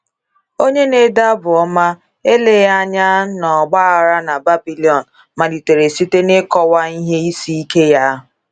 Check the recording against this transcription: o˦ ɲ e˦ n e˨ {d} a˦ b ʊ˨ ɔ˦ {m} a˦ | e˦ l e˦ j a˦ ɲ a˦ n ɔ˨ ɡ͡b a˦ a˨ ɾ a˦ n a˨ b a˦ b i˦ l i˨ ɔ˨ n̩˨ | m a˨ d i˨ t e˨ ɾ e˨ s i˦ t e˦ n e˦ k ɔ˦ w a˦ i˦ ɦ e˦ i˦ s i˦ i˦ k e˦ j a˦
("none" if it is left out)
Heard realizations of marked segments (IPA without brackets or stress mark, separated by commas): d, m